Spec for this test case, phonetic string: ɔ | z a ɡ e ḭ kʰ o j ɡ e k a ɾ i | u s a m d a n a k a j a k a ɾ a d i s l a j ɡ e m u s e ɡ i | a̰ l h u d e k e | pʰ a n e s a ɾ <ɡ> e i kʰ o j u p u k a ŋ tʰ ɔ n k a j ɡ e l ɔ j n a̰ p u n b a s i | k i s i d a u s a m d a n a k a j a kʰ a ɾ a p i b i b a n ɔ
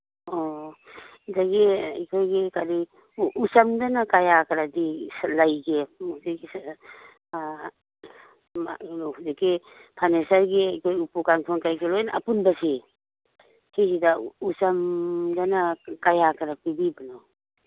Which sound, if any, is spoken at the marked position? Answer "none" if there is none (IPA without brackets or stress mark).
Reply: ɡ